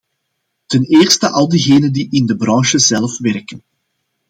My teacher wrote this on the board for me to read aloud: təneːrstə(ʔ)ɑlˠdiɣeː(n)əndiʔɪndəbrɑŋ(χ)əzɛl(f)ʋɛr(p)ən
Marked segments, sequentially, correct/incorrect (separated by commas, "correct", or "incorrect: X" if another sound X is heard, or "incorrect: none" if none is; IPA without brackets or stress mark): correct, correct, incorrect: ʃ, correct, incorrect: k